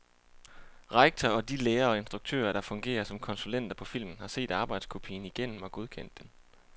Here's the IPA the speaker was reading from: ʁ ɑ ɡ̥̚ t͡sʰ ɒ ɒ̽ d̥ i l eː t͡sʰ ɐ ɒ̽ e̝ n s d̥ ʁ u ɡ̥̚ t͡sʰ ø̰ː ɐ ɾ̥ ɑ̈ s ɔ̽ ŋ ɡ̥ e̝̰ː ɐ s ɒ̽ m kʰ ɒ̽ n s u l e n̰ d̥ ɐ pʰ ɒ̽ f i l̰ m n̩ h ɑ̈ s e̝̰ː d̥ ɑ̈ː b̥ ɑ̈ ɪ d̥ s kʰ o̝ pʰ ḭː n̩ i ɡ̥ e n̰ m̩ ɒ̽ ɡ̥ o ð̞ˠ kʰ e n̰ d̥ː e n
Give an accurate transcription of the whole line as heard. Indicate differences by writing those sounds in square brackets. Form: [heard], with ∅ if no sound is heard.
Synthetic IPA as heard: ʁ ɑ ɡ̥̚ t͡sʰ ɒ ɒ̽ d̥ i l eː [∅] ɐ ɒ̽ e̝ n s d̥ ʁ u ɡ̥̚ t͡sʰ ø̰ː ɐ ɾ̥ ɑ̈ [f] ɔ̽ ŋ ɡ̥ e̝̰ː ɐ s ɒ̽ m kʰ ɒ̽ n s u l e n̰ d̥ ɐ pʰ ɒ̽ f i l̰ m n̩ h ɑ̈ s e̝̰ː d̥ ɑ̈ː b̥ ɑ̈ ɪ d̥ s kʰ o̝ pʰ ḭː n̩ i ɡ̥ e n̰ m̩ ɒ̽ ɡ̥ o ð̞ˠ kʰ e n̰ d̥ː e n